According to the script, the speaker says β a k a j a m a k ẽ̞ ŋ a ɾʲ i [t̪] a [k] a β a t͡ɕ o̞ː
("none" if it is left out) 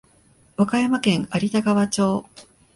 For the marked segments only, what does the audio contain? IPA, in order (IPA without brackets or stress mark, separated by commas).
t̪, ɡ